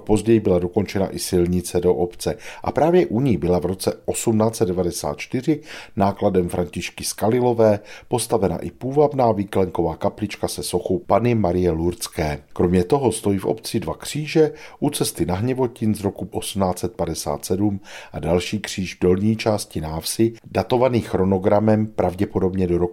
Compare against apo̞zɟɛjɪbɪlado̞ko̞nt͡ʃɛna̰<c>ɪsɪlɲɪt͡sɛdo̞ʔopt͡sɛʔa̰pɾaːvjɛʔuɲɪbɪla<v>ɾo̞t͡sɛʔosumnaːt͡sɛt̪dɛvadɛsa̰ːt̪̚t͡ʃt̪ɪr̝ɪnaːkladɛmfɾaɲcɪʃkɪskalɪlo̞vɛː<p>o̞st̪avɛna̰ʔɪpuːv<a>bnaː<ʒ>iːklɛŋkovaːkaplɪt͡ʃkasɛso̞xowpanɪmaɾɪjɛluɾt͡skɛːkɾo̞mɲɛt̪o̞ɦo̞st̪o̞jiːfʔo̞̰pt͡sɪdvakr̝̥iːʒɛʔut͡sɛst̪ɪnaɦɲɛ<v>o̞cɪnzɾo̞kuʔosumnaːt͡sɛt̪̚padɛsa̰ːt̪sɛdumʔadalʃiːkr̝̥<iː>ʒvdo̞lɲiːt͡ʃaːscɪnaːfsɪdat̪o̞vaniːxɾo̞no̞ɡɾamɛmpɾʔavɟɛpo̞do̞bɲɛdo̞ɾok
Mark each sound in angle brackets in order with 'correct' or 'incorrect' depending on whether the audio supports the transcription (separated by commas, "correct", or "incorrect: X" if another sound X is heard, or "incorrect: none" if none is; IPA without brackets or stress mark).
incorrect: ʔ, correct, correct, correct, incorrect: v, correct, correct